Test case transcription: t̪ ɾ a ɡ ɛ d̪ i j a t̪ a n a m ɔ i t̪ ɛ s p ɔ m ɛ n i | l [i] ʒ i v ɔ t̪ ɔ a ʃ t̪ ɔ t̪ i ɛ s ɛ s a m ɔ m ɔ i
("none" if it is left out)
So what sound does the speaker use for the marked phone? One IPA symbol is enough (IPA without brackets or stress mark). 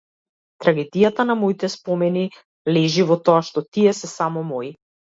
ɛ